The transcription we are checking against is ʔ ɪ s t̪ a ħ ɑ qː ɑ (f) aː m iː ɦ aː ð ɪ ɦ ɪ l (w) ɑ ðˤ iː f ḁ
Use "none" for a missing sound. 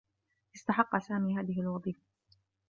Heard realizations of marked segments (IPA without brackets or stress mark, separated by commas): s, w